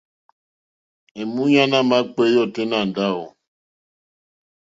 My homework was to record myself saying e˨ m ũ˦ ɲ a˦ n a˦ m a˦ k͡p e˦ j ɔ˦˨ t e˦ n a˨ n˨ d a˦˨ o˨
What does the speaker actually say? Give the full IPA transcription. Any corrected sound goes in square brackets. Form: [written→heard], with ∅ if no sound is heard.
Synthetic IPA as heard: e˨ m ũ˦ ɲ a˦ n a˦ m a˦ k͡p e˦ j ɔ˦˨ t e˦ n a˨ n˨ d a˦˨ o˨